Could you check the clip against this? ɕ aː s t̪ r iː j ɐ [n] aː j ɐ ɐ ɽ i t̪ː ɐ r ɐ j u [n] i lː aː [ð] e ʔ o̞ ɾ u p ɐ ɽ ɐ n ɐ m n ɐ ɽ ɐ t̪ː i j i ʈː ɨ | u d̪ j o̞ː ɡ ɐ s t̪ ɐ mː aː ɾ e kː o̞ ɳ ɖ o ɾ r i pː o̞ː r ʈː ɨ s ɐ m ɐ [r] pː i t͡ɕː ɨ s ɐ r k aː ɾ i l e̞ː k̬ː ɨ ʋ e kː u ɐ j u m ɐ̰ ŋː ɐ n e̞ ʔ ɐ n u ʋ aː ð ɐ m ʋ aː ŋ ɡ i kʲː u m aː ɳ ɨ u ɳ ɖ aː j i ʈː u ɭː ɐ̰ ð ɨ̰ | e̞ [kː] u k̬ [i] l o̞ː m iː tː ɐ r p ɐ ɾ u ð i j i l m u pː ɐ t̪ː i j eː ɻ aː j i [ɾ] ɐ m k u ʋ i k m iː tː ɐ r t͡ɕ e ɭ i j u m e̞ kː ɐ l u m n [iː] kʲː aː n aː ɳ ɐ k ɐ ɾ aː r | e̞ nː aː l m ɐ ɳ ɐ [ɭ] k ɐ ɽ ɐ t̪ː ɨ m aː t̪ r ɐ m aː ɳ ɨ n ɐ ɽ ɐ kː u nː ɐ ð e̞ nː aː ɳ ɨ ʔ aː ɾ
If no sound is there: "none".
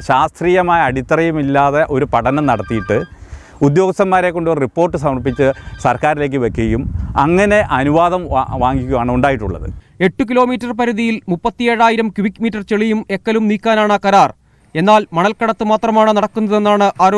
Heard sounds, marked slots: m, m, ð, r, ʈː, i, ɾ, iː, l

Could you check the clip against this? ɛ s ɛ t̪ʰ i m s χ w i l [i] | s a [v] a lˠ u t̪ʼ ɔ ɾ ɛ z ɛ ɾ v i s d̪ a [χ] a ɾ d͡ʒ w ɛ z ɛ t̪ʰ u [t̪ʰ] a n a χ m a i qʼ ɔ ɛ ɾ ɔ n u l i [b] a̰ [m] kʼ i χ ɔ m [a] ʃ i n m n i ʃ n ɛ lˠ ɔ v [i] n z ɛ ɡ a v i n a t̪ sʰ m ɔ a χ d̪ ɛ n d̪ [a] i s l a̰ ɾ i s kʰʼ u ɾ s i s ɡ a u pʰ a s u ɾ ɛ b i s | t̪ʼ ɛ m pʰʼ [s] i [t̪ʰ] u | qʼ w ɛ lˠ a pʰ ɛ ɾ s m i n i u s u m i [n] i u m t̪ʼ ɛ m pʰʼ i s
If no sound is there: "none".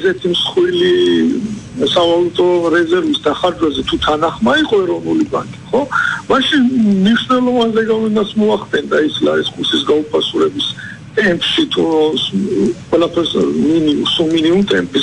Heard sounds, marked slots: i, v, χ, t̪ʰ, b, ŋ, a, a, a, ʃ, t̪ʰ, n

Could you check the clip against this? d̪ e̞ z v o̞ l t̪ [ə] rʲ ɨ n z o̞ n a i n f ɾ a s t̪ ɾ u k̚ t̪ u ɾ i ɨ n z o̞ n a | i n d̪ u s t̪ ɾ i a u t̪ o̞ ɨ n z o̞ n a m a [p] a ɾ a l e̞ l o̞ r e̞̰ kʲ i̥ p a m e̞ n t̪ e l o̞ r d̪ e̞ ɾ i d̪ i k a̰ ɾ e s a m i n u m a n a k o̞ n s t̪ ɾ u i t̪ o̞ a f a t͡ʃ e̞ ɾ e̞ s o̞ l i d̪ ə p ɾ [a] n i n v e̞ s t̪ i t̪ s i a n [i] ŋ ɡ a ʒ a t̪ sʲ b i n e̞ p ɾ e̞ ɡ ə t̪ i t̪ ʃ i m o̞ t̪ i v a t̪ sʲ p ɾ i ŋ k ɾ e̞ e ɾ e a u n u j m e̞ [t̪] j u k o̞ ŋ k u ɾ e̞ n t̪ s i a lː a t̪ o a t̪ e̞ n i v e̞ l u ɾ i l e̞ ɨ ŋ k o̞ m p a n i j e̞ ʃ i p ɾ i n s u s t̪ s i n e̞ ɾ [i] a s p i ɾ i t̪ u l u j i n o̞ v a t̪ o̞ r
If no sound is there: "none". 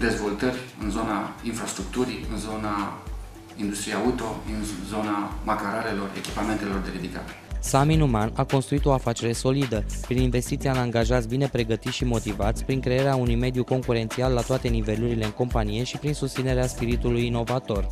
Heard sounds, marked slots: ə, k, i, a, d̪, e

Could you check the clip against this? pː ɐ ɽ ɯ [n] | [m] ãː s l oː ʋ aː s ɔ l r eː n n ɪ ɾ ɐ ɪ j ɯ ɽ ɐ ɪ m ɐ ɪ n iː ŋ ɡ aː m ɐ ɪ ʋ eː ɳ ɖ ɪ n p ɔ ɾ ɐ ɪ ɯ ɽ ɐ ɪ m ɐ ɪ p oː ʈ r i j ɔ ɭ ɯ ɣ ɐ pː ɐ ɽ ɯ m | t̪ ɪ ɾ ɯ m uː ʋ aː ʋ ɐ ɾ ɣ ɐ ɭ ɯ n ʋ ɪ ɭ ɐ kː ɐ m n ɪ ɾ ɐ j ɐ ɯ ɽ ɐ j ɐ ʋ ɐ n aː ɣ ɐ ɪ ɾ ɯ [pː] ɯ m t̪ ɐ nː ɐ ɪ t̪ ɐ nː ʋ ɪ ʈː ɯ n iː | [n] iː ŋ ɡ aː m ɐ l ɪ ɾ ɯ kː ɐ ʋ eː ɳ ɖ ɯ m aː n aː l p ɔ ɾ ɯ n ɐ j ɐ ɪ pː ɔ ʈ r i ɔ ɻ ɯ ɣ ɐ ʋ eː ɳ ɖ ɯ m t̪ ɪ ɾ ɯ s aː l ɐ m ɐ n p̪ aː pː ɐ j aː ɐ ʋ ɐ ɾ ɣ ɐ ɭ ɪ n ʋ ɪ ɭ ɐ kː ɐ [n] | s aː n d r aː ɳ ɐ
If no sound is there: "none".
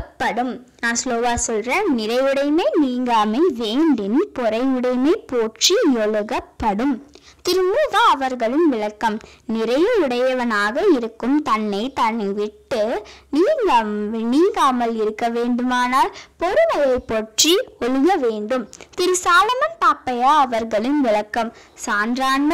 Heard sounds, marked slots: m, n, kː, n, m

